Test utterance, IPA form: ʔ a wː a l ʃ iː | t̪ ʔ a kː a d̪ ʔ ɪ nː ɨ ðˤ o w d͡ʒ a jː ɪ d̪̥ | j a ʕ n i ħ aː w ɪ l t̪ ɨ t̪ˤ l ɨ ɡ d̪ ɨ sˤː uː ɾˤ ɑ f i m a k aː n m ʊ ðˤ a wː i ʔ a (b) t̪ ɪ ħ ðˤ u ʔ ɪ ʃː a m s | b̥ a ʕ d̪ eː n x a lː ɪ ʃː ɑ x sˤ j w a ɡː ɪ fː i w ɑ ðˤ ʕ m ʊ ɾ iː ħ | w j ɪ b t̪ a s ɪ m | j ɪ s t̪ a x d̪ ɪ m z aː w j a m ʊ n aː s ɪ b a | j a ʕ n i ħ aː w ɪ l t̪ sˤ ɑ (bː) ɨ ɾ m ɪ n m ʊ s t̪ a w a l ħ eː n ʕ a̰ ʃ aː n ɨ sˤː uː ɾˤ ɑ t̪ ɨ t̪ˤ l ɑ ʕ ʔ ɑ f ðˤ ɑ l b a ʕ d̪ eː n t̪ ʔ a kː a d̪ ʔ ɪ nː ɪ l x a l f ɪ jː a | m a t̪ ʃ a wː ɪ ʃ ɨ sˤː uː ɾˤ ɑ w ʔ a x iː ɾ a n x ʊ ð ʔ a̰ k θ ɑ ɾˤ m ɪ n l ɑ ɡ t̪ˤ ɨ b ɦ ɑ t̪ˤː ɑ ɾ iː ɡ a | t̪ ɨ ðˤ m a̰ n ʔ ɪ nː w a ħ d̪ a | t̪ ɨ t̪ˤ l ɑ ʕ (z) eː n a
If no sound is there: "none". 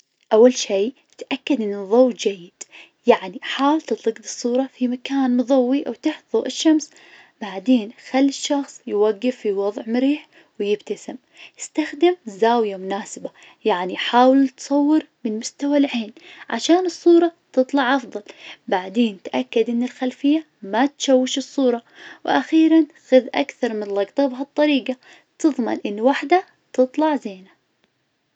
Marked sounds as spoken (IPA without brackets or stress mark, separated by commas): w, wː, z